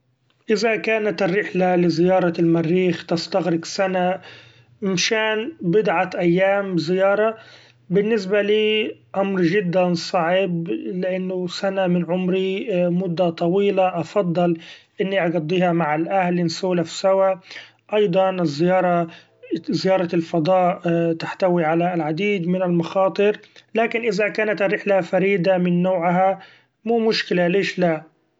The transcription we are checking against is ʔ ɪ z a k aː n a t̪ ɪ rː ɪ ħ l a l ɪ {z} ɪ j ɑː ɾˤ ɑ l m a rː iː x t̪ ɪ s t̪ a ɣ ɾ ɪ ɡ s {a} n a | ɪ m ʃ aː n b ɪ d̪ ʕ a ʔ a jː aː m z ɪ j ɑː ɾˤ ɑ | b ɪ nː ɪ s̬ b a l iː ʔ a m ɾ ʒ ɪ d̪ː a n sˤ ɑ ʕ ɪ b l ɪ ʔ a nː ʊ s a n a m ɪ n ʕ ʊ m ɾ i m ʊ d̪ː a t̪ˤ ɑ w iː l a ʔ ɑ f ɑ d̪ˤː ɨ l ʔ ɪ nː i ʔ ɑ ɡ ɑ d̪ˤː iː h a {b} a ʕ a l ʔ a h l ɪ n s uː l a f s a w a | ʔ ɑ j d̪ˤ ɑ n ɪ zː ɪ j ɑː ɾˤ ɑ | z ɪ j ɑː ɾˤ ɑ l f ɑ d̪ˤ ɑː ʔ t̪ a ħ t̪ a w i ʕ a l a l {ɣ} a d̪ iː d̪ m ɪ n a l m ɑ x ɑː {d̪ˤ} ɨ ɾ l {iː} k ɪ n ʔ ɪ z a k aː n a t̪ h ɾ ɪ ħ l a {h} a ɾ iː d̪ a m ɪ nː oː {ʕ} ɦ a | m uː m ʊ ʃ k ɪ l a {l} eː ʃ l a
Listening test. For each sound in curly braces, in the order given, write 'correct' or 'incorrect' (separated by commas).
correct, correct, incorrect, incorrect, incorrect, incorrect, incorrect, correct, correct